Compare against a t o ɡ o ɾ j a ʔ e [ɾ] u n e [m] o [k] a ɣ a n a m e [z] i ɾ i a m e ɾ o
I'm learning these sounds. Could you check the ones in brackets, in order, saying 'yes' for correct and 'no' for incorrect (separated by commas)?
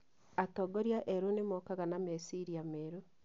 yes, yes, yes, no